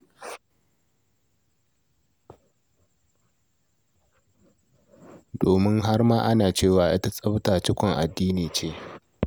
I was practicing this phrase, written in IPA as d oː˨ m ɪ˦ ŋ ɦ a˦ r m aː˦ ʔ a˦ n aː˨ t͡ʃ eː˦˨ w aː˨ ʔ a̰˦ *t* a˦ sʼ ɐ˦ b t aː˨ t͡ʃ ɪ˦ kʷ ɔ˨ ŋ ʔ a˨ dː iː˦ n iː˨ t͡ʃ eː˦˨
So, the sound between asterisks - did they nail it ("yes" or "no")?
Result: yes